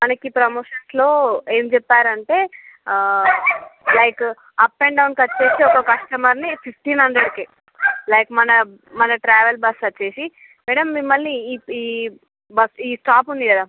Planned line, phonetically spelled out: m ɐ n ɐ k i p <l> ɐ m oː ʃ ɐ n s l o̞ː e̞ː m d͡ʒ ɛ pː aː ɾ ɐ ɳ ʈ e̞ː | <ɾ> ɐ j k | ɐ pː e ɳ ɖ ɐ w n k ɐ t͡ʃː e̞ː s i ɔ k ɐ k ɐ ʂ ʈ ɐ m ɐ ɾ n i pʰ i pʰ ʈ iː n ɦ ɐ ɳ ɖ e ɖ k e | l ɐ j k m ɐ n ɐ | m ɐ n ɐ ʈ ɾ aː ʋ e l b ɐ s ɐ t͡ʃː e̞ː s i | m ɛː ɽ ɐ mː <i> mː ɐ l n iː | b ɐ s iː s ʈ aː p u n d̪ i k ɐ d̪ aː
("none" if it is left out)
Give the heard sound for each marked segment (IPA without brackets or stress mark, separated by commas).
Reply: ɾ, l, i